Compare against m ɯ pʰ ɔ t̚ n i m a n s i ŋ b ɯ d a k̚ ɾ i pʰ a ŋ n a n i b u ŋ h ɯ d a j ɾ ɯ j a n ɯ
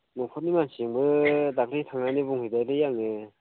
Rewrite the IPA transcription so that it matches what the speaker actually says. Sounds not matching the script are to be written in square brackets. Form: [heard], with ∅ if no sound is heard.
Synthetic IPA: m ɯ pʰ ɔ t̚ n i m a n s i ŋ b ɯ d a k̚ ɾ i [tʰ] a ŋ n a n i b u ŋ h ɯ d a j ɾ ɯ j a [ŋ] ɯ